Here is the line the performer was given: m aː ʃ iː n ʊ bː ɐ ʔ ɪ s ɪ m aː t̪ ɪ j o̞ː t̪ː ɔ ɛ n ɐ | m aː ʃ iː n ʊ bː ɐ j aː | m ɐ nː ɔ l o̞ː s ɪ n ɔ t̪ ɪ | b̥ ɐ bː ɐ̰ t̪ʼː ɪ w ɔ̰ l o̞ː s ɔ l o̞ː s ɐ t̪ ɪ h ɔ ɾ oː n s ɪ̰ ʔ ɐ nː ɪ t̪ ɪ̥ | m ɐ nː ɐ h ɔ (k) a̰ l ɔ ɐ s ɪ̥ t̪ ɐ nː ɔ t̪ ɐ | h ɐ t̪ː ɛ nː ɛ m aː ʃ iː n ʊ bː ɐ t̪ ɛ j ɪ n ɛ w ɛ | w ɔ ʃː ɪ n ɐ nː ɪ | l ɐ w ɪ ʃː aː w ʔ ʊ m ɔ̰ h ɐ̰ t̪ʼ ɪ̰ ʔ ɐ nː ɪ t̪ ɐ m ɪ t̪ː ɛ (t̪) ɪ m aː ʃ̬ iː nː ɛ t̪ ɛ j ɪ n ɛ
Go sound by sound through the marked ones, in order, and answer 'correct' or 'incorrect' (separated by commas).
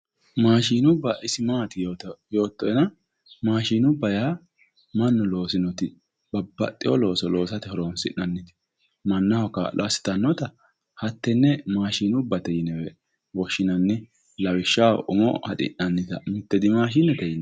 correct, incorrect